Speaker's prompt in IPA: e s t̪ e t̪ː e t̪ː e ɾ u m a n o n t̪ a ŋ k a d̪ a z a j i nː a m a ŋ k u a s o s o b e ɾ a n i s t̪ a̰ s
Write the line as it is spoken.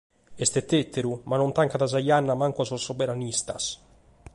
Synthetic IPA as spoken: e s t̪ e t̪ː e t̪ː e ɾ u m a n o n t̪ a ŋ k a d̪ a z a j a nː a m a ŋ k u a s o s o b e ɾ a n i s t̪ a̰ s